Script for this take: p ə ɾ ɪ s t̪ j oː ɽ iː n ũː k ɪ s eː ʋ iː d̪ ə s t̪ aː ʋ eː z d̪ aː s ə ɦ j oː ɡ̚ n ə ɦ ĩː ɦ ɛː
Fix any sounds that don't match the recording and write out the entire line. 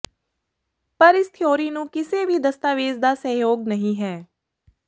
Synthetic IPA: p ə ɾ ɪ s t̪ʰ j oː ɾ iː n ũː k ɪ s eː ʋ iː d̪ ə s t̪ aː ʋ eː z d̪ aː s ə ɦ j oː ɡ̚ n ə ɦ ĩː ɦ ɛː